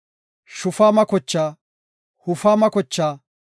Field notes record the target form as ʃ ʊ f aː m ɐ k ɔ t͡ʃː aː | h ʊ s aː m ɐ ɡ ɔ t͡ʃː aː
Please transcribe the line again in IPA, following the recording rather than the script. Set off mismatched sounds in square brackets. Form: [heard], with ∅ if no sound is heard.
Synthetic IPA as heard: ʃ ʊ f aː m ɐ k ɔ t͡ʃː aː | h ʊ [f] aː m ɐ [k] ɔ t͡ʃː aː